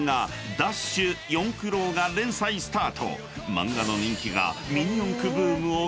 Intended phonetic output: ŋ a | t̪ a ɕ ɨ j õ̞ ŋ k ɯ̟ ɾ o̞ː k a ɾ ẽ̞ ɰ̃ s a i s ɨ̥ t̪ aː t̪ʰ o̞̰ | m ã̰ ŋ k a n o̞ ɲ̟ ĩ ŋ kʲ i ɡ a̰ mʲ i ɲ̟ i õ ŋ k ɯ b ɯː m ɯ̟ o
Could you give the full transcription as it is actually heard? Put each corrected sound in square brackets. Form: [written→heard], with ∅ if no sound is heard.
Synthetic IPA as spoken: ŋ a | [t̪→d̪] a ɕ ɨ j õ̞ ŋ k ɯ̟ ɾ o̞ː [k→ɡ] a ɾ ẽ̞ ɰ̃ s a i s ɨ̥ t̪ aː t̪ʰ o̞̰ | m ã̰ ŋ [k→ɡ] a n o̞ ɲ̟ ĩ ŋ kʲ i ɡ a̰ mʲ i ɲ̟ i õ ŋ k ɯ b ɯː m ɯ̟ o